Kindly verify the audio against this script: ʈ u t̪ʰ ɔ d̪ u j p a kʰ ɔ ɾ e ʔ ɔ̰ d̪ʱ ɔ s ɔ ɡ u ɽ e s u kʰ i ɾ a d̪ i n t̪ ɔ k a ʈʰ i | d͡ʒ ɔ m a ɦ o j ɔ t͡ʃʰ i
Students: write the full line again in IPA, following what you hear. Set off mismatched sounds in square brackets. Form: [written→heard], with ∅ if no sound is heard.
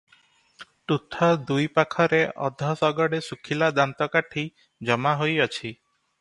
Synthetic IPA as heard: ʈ u t̪ʰ ɔ d̪ u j p a kʰ ɔ ɾ e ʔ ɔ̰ d̪ʱ ɔ s ɔ ɡ [u→ɔ] ɽ e s u kʰ i [ɾ→l] a d̪ [i→a] n t̪ ɔ k a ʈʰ i | d͡ʒ ɔ m a ɦ o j ɔ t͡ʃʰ i